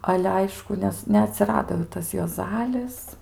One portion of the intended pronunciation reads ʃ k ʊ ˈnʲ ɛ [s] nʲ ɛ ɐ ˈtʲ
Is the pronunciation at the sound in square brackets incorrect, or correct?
correct